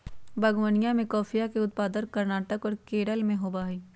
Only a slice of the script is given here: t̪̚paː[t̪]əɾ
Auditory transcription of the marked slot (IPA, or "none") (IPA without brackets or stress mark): d̪